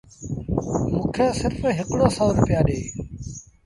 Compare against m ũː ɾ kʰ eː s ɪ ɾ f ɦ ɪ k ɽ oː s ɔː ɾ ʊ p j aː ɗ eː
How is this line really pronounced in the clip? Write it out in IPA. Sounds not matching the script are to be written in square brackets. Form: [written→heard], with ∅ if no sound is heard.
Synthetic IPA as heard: m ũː [ɾ→∅] kʰ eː s ɪ ɾ f ɦ ɪ k ɽ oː s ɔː ɾ ʊ p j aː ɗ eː